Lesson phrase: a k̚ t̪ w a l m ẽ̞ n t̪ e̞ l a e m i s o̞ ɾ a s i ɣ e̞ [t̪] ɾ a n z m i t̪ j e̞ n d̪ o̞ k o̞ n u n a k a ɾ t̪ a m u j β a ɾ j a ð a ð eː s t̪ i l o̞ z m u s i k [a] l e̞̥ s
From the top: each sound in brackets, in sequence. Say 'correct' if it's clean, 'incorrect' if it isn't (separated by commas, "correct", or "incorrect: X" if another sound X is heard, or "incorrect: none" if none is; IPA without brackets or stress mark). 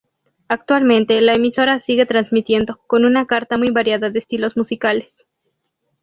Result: correct, correct